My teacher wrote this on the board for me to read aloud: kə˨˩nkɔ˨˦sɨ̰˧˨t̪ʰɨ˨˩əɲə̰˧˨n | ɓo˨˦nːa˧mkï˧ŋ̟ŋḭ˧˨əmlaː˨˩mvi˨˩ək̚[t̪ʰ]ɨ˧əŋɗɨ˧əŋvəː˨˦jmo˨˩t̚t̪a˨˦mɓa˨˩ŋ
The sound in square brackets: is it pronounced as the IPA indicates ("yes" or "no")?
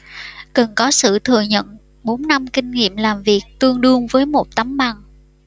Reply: no